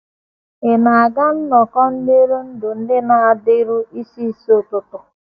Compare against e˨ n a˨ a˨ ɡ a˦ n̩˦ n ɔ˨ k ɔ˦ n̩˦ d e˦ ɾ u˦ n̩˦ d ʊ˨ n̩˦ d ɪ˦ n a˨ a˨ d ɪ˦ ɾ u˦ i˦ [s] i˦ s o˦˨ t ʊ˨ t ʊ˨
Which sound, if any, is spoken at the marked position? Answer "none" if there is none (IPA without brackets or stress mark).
s